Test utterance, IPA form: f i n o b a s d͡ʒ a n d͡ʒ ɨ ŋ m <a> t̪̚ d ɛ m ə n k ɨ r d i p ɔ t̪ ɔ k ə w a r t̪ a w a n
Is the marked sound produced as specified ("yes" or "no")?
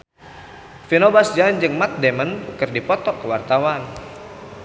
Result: yes